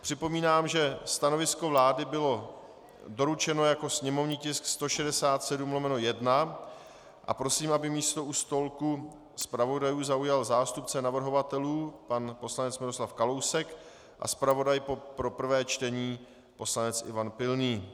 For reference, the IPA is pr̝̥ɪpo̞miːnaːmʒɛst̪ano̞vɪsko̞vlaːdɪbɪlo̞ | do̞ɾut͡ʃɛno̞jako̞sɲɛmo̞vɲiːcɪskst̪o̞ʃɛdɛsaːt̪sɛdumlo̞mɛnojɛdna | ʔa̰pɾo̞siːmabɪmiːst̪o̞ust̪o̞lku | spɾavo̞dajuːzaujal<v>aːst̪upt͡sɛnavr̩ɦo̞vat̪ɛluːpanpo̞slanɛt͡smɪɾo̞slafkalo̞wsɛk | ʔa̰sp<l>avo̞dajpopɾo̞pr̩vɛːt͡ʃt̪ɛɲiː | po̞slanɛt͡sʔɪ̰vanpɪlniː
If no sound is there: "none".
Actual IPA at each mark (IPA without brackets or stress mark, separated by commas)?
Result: z, ɾ